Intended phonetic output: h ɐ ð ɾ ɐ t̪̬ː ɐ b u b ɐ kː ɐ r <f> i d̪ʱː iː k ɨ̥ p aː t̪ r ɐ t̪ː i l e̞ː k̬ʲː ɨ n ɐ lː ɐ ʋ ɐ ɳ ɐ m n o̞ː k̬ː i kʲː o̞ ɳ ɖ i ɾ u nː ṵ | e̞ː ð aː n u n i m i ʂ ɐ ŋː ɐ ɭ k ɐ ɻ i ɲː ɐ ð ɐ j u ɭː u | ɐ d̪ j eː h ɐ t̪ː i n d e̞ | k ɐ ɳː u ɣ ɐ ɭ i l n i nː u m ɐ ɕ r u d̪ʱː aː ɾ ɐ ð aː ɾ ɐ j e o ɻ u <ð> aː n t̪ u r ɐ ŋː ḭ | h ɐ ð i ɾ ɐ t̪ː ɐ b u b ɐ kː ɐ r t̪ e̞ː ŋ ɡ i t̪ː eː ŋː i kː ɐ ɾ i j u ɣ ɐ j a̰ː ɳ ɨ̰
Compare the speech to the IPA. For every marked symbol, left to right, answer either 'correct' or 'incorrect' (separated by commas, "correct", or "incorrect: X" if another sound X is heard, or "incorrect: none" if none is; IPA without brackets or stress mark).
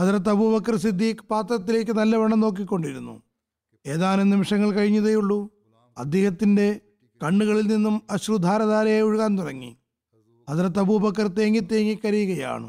incorrect: s, incorrect: ɣ